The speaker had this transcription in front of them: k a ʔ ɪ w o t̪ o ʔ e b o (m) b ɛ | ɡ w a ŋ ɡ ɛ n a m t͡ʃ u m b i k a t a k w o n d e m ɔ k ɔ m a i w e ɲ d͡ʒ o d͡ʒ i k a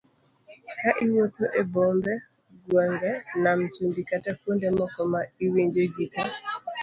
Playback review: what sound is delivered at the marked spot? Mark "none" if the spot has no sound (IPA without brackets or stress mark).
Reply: m